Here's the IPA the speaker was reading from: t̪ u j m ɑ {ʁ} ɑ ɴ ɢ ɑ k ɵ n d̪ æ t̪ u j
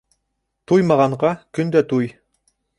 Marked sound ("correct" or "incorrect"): correct